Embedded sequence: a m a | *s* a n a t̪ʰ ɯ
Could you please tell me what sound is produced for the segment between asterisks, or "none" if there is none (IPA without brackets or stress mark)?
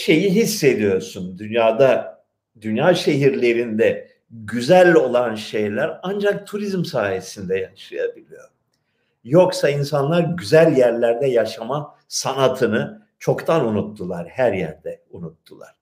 s